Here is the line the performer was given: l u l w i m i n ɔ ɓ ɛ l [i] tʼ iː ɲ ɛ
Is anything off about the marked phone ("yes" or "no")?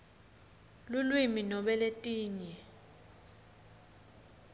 yes